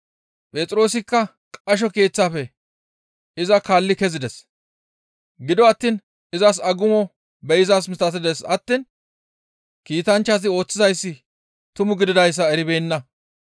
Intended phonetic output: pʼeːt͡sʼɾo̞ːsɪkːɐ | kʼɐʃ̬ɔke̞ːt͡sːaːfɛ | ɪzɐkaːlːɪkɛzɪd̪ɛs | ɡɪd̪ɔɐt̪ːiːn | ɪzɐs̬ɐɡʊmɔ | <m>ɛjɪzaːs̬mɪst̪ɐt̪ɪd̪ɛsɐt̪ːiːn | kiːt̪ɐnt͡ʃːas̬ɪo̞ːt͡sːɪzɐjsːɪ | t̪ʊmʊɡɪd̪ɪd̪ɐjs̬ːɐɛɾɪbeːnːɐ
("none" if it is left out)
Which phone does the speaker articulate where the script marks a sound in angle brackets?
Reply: b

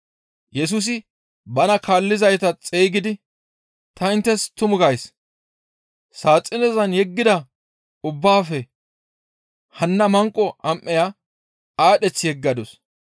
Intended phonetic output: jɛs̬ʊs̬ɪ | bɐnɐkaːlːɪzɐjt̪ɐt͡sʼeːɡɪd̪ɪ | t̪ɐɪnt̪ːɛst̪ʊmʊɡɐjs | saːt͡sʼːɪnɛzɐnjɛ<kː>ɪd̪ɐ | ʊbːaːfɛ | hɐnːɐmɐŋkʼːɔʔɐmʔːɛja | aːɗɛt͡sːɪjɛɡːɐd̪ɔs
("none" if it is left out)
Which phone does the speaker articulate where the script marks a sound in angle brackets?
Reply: ɡː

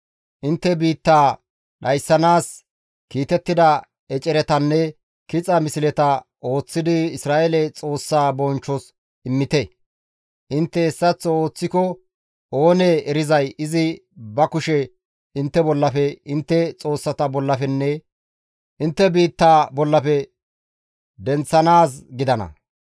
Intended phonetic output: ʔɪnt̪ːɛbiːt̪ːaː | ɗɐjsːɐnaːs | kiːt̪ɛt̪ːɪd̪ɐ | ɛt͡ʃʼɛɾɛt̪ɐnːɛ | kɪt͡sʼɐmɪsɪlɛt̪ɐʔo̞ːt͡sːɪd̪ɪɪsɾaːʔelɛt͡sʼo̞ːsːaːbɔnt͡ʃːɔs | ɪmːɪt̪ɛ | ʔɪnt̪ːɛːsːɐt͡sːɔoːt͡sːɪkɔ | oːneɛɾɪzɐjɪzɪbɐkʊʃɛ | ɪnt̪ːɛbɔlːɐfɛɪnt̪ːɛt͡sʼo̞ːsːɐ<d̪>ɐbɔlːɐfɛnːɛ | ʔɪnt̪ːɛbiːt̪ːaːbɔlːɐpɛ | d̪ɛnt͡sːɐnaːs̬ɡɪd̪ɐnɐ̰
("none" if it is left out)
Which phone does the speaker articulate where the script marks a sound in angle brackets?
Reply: t̪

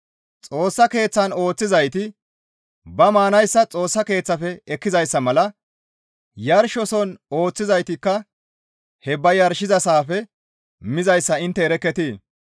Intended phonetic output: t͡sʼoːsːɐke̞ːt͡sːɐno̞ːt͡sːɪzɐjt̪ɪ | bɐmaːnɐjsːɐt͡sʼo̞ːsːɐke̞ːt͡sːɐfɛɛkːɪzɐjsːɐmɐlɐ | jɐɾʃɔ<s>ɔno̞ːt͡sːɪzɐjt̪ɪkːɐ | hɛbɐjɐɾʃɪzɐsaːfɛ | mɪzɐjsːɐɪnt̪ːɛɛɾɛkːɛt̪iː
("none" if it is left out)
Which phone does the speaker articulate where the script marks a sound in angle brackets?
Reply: s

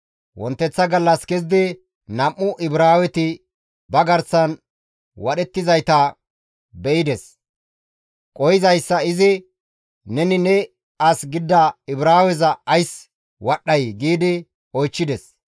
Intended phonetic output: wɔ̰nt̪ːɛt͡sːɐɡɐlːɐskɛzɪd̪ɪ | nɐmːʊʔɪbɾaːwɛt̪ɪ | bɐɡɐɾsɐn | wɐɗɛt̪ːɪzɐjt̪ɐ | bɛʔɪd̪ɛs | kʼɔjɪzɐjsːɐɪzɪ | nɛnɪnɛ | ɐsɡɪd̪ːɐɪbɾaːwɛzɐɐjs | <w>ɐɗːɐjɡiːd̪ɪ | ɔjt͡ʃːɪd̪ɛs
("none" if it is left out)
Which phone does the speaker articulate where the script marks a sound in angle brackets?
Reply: w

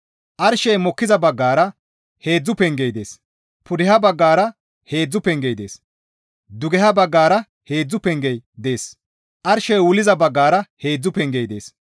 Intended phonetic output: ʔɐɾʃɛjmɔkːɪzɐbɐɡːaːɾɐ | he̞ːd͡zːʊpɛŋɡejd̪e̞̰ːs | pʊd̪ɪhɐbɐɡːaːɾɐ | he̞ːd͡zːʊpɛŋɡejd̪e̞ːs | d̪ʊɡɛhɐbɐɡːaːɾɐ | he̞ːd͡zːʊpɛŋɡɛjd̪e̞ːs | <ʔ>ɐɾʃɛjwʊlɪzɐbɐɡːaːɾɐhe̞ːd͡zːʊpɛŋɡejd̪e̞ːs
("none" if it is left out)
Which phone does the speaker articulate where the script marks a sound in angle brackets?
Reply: ʔ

